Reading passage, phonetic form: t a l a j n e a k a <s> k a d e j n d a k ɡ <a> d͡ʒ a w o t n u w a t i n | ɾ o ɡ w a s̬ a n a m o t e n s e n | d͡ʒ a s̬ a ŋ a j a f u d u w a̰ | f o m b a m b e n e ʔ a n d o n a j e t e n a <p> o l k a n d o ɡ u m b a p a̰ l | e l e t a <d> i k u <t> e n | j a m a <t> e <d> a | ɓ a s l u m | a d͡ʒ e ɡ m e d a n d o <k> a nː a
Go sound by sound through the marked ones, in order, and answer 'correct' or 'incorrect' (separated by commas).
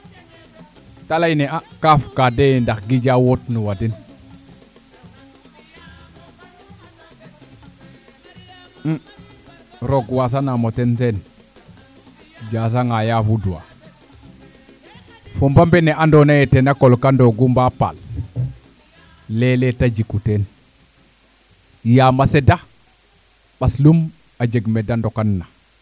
incorrect, incorrect, incorrect, incorrect, correct, incorrect, correct, correct